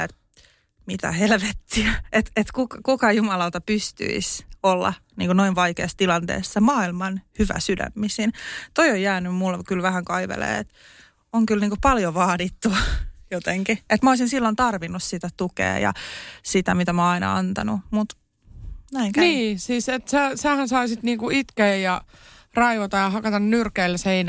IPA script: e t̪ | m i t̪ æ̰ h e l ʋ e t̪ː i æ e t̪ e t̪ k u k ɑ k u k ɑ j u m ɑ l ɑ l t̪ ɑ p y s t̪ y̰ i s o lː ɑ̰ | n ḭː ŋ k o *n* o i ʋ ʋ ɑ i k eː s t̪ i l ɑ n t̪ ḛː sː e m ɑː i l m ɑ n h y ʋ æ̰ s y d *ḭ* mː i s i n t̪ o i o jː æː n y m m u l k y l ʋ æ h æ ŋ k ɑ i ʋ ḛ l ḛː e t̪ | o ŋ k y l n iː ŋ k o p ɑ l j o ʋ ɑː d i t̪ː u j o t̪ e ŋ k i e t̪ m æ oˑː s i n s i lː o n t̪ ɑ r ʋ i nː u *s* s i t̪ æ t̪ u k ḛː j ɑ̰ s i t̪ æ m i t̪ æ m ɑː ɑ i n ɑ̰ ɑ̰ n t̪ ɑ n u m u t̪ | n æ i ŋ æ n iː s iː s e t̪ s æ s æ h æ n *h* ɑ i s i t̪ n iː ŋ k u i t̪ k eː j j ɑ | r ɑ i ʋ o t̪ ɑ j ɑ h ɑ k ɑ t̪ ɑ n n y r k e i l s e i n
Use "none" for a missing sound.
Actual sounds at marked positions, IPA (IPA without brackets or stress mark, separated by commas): n, æ̰, s, s